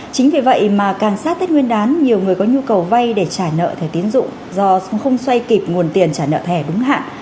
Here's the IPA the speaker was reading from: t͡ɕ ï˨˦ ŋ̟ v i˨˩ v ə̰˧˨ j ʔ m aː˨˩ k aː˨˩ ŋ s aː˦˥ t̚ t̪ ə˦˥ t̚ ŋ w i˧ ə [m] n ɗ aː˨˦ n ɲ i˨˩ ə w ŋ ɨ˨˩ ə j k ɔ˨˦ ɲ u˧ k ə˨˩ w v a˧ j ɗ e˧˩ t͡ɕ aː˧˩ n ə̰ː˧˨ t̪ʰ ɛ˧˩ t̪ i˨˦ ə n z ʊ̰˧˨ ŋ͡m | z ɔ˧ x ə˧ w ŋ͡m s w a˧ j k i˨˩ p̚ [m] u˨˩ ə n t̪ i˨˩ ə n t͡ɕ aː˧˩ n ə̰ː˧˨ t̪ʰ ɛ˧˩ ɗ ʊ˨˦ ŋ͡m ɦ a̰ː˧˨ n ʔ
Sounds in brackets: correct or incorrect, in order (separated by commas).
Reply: incorrect, incorrect